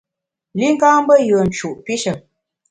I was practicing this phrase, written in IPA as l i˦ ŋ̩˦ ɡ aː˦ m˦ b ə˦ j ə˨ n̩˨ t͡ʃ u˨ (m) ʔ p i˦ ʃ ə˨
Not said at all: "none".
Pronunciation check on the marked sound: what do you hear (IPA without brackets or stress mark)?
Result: none